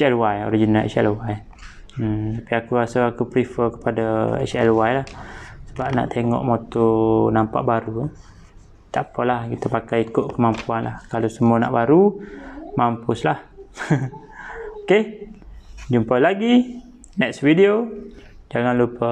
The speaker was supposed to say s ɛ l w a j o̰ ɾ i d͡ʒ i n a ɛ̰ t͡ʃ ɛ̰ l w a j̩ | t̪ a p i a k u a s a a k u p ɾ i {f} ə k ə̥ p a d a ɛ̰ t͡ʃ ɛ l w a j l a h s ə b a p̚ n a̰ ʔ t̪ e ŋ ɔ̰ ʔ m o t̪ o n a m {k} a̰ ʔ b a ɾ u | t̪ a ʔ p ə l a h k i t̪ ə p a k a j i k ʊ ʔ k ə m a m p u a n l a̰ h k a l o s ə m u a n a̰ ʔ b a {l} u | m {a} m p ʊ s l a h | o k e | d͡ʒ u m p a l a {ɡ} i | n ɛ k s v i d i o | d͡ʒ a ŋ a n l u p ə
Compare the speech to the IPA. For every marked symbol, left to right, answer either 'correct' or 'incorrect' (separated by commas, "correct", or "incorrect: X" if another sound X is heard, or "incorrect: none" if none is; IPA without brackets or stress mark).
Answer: correct, incorrect: p, incorrect: ɾ, correct, correct